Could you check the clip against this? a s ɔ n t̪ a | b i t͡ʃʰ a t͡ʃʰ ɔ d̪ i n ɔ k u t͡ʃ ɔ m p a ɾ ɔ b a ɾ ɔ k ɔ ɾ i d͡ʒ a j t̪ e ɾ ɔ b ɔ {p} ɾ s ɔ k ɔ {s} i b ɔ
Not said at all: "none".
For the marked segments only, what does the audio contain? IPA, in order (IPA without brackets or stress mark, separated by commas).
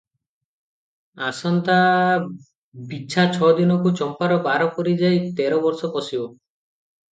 none, s